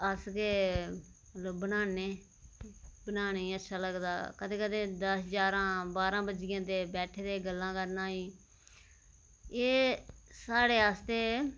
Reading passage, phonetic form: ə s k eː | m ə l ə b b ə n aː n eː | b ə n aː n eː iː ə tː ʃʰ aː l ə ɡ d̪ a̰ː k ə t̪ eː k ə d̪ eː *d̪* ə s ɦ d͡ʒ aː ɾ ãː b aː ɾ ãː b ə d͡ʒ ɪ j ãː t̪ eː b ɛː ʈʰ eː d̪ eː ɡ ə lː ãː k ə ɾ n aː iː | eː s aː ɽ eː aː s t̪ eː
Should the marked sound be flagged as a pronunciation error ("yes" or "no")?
no